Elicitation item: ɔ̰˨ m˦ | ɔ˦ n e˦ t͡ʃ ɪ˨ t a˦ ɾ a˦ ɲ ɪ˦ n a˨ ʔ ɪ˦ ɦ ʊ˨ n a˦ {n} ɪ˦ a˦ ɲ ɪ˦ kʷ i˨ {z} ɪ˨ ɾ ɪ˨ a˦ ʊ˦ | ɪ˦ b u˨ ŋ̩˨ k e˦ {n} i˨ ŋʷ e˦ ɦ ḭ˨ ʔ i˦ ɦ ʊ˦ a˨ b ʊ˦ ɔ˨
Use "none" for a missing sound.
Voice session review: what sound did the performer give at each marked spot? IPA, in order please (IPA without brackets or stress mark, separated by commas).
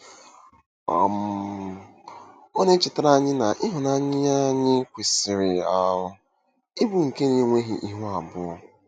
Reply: ɲ, s, n